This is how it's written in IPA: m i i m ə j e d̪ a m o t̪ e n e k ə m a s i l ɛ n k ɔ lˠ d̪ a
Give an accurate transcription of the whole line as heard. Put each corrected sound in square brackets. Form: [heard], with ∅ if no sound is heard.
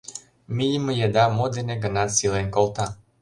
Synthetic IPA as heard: m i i m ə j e d̪ a m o [d̪] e n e [ɡ] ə [n] a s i l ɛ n k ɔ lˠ [t̪] a